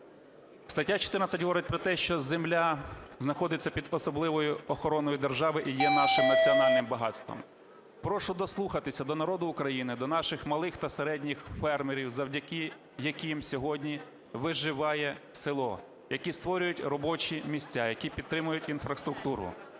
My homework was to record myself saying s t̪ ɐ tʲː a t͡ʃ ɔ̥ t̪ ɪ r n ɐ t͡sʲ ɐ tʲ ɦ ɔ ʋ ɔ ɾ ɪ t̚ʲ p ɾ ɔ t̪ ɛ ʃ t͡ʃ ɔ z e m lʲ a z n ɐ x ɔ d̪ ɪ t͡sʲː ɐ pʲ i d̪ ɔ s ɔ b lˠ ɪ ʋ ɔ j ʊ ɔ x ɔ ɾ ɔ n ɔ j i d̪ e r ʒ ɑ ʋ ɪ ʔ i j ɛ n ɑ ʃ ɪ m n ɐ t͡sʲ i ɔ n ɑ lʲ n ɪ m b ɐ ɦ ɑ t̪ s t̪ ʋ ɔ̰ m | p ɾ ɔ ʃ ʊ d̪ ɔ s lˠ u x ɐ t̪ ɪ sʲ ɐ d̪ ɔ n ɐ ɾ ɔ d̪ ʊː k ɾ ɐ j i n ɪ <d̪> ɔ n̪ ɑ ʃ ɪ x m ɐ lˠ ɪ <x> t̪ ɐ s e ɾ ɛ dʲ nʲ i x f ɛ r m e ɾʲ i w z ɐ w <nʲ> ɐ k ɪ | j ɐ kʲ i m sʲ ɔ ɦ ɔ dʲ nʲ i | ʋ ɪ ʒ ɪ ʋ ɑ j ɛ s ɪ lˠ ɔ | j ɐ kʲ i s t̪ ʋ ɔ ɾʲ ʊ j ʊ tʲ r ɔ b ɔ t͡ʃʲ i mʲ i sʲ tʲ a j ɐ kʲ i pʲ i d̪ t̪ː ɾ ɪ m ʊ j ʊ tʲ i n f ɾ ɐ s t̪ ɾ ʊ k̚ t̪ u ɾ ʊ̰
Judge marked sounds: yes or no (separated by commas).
yes, yes, no